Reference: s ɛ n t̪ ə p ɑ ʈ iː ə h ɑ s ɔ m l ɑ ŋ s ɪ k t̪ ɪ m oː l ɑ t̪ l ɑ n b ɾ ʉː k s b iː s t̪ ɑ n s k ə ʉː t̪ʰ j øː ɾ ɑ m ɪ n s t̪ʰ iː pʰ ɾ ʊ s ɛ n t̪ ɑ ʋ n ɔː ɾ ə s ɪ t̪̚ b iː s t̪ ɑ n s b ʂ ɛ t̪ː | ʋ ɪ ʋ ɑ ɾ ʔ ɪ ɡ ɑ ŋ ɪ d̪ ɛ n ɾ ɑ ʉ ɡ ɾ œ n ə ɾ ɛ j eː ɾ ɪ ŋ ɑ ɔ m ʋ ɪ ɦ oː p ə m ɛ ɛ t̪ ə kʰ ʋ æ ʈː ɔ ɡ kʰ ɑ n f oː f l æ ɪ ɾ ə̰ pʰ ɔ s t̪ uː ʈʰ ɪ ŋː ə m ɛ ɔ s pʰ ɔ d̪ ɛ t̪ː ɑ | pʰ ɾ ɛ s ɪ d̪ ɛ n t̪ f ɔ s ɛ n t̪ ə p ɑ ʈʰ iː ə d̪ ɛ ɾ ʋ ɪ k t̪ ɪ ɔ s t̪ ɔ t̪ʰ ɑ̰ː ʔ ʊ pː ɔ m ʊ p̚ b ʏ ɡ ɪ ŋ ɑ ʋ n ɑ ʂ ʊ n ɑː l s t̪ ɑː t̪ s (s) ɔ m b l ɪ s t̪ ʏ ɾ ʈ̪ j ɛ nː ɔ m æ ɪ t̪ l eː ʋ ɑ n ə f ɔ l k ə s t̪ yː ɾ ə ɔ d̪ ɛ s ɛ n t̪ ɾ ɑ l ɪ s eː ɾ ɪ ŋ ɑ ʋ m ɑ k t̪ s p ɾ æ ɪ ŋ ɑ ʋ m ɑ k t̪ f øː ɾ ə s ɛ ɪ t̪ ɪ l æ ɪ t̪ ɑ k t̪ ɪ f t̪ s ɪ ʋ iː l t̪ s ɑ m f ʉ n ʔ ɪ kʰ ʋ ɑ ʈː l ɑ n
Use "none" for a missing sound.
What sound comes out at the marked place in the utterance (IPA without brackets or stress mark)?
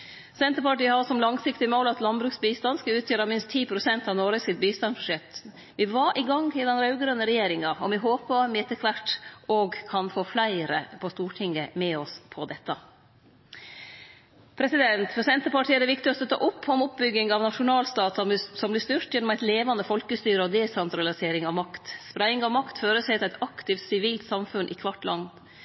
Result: s